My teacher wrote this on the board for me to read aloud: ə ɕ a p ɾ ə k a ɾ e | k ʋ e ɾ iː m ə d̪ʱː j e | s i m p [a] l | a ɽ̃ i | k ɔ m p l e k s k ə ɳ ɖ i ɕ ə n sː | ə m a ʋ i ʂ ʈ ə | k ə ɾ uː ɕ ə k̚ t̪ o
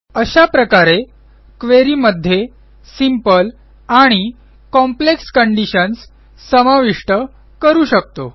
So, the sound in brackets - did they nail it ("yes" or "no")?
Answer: no